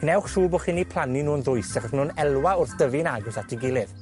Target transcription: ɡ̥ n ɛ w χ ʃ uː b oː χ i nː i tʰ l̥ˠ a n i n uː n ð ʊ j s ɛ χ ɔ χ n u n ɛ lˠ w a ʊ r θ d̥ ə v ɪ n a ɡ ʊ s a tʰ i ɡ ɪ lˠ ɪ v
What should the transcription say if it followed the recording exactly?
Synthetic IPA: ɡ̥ n ɛ w χ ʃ uː b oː χ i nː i pʰ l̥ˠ a n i n uː n ð ʊ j s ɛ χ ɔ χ n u n ɛ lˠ w a ʊ r θ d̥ ə v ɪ n a ɡ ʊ s a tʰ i ɡ ɪ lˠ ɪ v